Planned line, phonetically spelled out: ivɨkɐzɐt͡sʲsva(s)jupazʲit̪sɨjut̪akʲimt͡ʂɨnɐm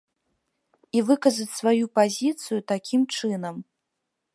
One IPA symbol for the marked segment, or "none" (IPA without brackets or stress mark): none